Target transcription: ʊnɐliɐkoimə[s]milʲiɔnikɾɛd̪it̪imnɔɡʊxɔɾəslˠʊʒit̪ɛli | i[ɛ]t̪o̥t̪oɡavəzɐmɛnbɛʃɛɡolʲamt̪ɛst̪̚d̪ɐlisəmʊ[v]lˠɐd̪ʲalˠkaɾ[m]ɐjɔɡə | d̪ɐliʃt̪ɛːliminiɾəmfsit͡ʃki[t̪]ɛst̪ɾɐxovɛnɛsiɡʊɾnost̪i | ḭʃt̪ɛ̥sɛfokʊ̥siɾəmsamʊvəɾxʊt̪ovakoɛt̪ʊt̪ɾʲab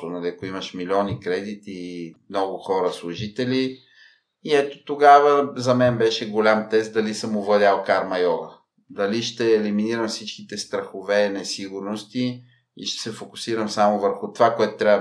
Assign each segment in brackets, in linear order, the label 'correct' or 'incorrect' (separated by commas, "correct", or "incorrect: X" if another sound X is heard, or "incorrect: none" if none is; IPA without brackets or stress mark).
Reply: incorrect: ʃ, correct, correct, correct, correct